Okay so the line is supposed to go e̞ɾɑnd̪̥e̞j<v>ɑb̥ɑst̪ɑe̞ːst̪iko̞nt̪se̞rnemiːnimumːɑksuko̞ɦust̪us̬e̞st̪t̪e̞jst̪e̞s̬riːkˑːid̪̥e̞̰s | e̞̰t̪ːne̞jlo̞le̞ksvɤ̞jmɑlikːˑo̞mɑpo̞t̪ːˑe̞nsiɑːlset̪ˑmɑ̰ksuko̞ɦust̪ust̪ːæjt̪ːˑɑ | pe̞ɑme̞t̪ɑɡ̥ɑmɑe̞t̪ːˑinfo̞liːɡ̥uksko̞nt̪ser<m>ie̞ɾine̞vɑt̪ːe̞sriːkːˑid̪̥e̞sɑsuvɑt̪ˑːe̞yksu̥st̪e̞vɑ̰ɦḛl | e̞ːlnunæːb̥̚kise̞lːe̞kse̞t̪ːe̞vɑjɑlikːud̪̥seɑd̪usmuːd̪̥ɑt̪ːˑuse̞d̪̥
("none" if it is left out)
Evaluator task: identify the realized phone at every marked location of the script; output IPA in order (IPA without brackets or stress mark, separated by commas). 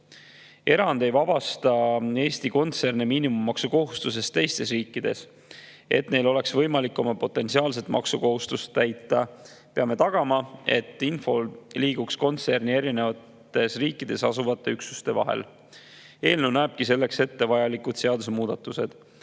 v, n